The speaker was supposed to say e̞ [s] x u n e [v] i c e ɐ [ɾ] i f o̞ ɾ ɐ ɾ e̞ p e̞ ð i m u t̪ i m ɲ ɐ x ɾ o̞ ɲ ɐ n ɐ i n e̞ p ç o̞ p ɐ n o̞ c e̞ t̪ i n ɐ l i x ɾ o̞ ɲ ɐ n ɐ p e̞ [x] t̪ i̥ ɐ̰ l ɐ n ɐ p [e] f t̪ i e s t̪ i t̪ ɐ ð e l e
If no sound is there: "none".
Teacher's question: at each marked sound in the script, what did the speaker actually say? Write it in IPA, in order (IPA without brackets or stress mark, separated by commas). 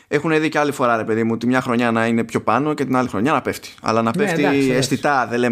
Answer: none, ð, l, f, e